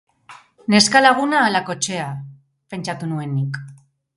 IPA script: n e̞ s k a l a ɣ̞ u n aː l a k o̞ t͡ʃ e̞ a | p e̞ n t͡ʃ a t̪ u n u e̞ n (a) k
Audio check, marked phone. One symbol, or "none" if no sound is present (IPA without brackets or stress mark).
i